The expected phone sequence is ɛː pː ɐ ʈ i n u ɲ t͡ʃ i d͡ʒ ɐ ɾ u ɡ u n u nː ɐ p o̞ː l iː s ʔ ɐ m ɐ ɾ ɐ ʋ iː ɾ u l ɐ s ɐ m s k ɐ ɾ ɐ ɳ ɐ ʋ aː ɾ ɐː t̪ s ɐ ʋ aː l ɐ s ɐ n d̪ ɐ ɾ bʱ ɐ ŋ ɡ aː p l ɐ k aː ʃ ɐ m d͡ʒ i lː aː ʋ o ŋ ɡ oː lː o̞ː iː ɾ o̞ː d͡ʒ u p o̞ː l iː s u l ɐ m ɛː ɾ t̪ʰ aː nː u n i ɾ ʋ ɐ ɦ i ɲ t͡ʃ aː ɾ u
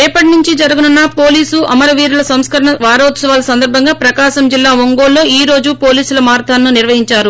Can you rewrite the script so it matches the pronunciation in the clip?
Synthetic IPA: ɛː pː ɐ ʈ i n u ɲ t͡ʃ i d͡ʒ ɐ ɾ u ɡ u n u nː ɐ p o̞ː l iː s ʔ ɐ m ɐ ɾ ɐ ʋ iː ɾ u l ɐ s ɐ m s k ɐ ɾ ɐ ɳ ɐ ʋ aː ɾ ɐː t̪ s ɐ ʋ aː l ɐ s ɐ n d̪ ɐ ɾ bʱ ɐ ŋ ɡ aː p ɾ ɐ k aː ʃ ɐ m d͡ʒ i lː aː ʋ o ŋ ɡ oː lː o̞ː iː ɾ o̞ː d͡ʒ u p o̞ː l iː s u l ɐ m aː ɾ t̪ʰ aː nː u n i ɾ ʋ ɐ ɦ i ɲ t͡ʃ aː ɾ u